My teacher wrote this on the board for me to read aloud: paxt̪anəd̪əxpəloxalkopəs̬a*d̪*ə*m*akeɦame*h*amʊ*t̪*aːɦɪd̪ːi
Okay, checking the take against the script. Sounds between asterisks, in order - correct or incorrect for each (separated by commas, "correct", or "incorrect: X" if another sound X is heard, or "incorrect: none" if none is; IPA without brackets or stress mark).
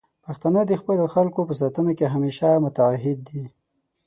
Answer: incorrect: t̪, incorrect: n, incorrect: ʃ, correct